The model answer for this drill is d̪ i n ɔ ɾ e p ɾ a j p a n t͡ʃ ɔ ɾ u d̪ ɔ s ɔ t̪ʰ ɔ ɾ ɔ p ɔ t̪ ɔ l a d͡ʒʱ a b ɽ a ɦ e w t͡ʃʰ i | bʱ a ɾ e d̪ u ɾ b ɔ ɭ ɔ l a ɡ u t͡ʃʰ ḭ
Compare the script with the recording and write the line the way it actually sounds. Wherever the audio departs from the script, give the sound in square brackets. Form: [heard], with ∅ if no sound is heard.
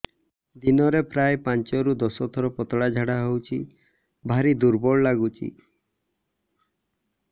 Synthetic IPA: d̪ i n ɔ ɾ e p ɾ a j p a n t͡ʃ ɔ ɾ u d̪ ɔ s ɔ t̪ʰ ɔ ɾ ɔ p ɔ t̪ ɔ [ɽ] a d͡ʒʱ a [∅] ɽ a ɦ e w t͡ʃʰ i | bʱ a ɾ [i] d̪ u ɾ b ɔ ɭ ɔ l a ɡ u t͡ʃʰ ḭ